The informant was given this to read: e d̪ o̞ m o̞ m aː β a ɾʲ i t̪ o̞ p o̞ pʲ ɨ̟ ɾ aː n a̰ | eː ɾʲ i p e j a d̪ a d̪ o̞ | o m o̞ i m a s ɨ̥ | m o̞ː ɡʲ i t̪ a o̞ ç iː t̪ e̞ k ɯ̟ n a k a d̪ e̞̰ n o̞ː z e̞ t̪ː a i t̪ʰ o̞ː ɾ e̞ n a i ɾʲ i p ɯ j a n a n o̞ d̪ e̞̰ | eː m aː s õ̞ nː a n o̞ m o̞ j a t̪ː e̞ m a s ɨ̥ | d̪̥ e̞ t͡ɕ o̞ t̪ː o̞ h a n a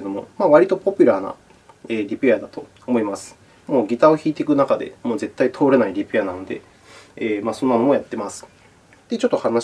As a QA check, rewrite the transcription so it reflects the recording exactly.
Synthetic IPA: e d̪ o̞ m o̞ m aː β a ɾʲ i t̪ o̞ p o̞ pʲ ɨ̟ ɾ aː n a̰ | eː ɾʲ i p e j a d̪ a t̪ o̞ | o m o̞ i m a s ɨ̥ | m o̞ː ɡʲ i t̪ a o̞ ç iː t̪ e̞ k ɯ̟ n a k a d̪ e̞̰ m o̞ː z e̞ t̪ː a i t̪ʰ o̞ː ɾ e̞ n a i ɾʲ i p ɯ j a n a n o̞ d̪ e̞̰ | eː m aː s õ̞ nː a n o̞ m o̞ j a t̪ː e̞ m a s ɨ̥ | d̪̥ e̞ t͡ɕ o̞ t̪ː o̞ h a n a